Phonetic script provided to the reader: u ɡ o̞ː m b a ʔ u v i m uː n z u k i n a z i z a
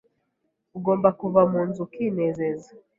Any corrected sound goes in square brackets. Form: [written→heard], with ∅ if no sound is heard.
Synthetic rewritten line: u ɡ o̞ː m b a [ʔ→k] u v [i→a] m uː n z u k i n [a→e] z [i→e] z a